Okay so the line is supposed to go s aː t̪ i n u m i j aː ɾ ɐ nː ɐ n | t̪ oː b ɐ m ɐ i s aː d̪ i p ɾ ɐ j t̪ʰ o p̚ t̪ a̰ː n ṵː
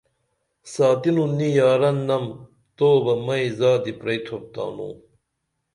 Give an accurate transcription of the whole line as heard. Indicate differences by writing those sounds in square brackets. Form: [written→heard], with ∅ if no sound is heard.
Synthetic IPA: s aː t̪ i n u [m→n] i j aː ɾ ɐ nː ɐ [n→m] | t̪ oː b ɐ m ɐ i [s→z] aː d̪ i p ɾ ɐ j t̪ʰ o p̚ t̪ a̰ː n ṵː